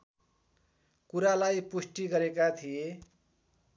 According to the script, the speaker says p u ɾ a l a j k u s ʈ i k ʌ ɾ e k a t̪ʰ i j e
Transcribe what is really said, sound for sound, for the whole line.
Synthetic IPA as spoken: k u ɾ a l a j p u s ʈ i ɡ ʌ ɾ e k a t̪ʰ i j e